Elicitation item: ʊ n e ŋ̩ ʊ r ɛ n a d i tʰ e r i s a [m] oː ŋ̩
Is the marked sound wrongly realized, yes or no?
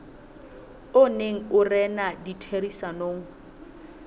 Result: yes